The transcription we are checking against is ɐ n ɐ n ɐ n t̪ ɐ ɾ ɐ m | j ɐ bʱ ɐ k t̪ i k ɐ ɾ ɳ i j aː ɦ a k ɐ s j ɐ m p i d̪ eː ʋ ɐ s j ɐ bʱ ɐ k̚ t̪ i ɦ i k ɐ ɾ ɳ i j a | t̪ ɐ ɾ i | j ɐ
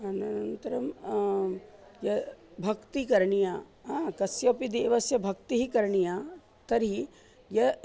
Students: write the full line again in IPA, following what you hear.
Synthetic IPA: ɐ n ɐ n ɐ n t̪ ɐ ɾ ɐ m | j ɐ bʱ ɐ k t̪ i k ɐ ɾ ɳ i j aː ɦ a k ɐ s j ɐ p i d̪ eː ʋ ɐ s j ɐ bʱ ɐ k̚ t̪ i ɦ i k ɐ ɾ ɳ i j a | t̪ ɐ ɾ i | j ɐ